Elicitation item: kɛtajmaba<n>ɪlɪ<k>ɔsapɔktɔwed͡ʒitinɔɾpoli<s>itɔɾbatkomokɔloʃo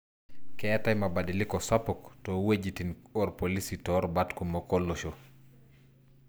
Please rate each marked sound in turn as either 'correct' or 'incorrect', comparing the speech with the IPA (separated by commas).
incorrect, correct, correct